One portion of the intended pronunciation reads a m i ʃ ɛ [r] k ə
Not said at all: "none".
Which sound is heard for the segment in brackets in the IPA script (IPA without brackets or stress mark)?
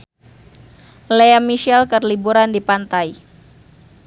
l